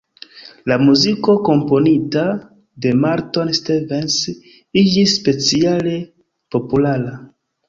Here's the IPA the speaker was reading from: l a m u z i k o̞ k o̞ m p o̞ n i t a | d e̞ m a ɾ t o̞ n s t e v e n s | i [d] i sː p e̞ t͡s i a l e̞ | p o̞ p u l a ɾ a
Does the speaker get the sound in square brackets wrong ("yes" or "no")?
yes